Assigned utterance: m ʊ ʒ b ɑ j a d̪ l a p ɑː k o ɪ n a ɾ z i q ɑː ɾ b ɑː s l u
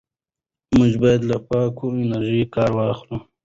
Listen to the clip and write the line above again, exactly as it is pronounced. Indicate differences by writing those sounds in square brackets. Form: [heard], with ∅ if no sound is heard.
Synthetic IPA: m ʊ ʒ b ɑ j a d̪ l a p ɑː k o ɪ n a ɾ [ʒ] i [k] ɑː ɾ [w] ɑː [x] l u